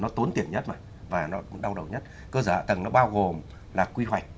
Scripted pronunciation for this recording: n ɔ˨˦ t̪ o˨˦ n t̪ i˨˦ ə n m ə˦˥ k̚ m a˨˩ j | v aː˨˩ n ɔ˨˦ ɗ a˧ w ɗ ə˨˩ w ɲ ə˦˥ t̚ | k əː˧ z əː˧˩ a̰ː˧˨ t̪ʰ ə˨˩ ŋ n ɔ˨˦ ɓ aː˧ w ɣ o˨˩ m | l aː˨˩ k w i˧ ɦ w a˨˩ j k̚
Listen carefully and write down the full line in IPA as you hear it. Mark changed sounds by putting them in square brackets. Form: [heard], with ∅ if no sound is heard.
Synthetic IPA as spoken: n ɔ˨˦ t̪ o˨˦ n t̪ [i˨˩] ə n [ɲ] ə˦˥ [t̚] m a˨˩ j | v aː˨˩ n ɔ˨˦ ɗ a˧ w ɗ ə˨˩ w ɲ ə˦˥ t̚ | k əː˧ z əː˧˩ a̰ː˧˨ [t̪] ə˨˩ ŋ n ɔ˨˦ ɓ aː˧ w ɣ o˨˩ m | l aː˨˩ k w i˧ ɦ w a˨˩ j k̚

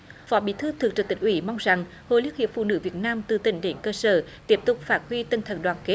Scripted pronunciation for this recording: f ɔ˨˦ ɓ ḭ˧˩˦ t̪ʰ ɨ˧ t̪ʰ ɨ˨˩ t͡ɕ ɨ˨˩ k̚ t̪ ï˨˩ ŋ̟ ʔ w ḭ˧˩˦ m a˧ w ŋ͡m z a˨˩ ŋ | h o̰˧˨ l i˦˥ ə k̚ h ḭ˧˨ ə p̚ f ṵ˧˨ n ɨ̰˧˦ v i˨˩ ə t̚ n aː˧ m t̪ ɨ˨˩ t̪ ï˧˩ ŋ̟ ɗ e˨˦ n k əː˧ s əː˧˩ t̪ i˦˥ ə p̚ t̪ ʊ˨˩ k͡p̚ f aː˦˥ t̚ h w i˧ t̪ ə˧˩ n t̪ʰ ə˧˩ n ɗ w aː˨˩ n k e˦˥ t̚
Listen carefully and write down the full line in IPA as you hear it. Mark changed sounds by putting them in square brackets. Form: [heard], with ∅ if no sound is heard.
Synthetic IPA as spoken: f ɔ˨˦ ɓ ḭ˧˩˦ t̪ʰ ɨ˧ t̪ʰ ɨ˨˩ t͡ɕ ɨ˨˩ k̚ t̪ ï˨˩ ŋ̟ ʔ w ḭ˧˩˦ m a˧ w ŋ͡m z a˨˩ ŋ | h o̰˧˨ l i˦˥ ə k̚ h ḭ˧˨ ə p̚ f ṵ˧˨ n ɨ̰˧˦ v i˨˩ ə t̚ n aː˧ m t̪ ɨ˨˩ t̪ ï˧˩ ŋ̟ ɗ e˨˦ n k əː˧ s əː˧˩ t̪ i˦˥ ə p̚ t̪ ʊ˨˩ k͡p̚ f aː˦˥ t̚ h w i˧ t̪ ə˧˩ n t̪ʰ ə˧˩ n ɗ w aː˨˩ n k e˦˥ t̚

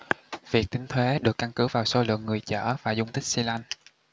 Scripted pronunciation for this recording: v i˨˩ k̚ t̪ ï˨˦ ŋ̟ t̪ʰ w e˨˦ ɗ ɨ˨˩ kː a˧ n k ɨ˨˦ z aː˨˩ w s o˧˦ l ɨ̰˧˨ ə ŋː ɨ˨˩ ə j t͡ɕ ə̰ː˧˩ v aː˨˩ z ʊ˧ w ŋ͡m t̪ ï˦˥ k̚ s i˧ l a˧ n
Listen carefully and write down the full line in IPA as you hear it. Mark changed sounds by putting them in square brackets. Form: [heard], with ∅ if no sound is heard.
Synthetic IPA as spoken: v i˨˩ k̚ t̪ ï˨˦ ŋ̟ t̪ʰ w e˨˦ ɗ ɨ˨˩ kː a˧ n k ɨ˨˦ [v] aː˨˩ w s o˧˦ l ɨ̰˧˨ ə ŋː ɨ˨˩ ə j t͡ɕ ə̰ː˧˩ v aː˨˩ z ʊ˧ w ŋ͡m t̪ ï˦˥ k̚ s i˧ l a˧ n

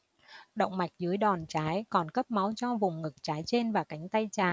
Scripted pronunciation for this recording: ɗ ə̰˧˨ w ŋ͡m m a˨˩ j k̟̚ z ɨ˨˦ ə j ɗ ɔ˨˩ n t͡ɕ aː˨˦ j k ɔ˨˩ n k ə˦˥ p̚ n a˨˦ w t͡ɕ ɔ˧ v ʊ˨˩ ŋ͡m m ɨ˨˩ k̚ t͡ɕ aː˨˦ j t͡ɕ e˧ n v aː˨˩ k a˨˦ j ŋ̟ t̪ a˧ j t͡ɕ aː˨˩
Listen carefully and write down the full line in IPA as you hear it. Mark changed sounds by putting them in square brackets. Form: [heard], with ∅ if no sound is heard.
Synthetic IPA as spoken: ɗ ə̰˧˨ w ŋ͡m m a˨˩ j k̟̚ z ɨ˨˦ ə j ɗ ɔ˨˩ n t͡ɕ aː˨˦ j k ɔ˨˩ n k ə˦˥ p̚ [m] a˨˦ w t͡ɕ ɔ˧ v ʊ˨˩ ŋ͡m [ŋ] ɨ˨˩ k̚ t͡ɕ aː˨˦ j t͡ɕ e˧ n v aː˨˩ k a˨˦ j ŋ̟ t̪ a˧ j t͡ɕ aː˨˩

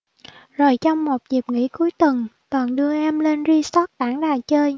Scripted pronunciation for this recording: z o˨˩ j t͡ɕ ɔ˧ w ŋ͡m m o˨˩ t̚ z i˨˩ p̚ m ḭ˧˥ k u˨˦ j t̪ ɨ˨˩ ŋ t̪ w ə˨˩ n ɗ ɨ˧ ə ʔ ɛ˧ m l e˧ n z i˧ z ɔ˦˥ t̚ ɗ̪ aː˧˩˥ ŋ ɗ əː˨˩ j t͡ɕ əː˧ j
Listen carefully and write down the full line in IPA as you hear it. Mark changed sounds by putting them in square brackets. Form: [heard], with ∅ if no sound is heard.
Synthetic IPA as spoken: z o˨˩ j t͡ɕ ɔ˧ w ŋ͡m m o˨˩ t̚ z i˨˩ p̚ [ŋ] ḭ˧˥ k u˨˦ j t̪ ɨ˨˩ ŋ t̪ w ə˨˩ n ɗ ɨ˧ ə ʔ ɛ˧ m l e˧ n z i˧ [s] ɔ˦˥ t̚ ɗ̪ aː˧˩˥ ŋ ɗ [aː˨˩] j t͡ɕ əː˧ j

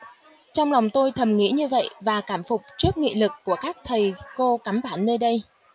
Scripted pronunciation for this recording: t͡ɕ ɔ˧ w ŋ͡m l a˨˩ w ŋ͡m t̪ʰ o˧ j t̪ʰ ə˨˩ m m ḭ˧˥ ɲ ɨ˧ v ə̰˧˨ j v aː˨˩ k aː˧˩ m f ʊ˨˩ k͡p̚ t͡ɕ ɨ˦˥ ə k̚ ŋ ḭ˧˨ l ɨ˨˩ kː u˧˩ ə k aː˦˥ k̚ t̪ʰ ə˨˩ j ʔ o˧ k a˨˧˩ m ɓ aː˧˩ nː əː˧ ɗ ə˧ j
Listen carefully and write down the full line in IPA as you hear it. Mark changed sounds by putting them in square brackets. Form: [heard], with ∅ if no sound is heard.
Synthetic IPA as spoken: t͡ɕ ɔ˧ w ŋ͡m l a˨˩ w ŋ͡m [t̪] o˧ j t̪ʰ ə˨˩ m [ŋ] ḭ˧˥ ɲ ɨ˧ v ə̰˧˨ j v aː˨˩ k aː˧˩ m f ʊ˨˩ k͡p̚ t͡ɕ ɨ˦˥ ə k̚ ŋ ḭ˧˨ l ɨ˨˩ kː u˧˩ ə k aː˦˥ k̚ t̪ʰ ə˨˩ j [k] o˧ k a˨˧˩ m ɓ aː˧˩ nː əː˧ ɗ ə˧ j

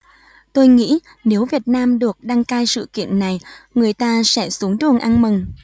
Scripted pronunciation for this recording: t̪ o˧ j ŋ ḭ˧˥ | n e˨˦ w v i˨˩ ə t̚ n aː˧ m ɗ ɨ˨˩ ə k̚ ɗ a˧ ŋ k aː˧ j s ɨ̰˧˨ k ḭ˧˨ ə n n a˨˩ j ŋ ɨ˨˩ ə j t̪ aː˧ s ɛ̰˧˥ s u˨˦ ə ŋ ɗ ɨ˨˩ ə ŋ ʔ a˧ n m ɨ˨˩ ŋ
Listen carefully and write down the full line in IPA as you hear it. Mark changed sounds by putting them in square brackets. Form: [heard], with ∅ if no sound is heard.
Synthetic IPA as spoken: t̪ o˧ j ŋ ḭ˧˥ | n e˨˦ w v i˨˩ ə t̚ n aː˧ m ɗ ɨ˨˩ ə k̚ ɗ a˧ ŋ k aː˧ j s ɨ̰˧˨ k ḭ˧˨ ə n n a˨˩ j ŋ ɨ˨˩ ə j t̪ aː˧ s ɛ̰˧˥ s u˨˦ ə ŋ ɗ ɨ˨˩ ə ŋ ʔ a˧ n m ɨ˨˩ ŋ

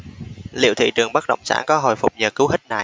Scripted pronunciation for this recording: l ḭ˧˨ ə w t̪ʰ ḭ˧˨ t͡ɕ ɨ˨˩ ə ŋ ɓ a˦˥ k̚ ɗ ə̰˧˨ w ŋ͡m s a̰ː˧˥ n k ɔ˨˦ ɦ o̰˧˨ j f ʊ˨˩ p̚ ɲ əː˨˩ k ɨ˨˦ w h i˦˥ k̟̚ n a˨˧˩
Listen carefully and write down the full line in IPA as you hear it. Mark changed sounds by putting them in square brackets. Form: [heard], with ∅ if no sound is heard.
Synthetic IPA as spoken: l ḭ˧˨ ə w t̪ʰ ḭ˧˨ t͡ɕ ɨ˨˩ ə ŋ ɓ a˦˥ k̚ ɗ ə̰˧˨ w ŋ͡m s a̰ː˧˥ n k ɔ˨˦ ɦ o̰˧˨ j f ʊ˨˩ [k͡p̚] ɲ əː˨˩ k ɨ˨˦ w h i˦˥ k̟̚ n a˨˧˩

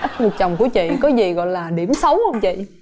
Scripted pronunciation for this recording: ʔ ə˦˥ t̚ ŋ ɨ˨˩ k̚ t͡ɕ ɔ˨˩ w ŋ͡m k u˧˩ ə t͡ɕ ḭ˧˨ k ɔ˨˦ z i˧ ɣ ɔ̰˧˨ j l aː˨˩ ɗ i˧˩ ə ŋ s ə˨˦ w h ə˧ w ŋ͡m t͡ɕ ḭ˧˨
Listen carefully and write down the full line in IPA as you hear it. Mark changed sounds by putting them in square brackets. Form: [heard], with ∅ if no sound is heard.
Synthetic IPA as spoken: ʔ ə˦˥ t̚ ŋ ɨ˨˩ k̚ t͡ɕ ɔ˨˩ w ŋ͡m k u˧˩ ə t͡ɕ ḭ˧˨ k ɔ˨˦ z [i˨˩] ɣ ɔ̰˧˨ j l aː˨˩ ɗ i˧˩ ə [m] s ə˨˦ w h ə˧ w ŋ͡m t͡ɕ ḭ˧˨

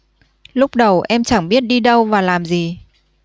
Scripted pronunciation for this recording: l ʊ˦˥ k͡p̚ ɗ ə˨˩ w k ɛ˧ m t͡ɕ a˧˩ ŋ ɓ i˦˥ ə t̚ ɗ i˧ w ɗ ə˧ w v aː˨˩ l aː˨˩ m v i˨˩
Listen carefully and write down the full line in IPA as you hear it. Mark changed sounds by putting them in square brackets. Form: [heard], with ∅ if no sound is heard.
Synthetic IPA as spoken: l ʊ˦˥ k͡p̚ ɗ ə˨˩ w [ʔ] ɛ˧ m t͡ɕ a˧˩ ŋ ɓ i˦˥ ə t̚ ɗ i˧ [∅] ɗ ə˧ w v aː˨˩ l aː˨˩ m [z] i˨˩

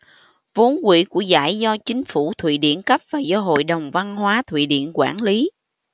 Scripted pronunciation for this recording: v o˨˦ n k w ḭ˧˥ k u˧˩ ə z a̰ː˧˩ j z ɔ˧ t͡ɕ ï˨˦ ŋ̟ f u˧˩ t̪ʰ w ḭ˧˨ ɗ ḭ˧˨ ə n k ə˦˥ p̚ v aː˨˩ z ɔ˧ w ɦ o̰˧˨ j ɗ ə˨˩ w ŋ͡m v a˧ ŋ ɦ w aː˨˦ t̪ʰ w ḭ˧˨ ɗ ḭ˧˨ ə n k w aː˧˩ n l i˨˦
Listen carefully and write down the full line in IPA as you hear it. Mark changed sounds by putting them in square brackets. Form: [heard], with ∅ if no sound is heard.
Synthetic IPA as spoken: v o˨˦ n k w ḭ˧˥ k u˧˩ ə z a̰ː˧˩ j z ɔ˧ t͡ɕ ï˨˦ ŋ̟ f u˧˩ t̪ʰ w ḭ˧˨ ɗ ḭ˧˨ ə n k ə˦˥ p̚ v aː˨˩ z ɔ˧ [∅] ɦ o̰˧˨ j ɗ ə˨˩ w ŋ͡m v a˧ [n] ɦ w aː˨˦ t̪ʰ w ḭ˧˨ ɗ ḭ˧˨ ə n k w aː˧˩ n l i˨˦

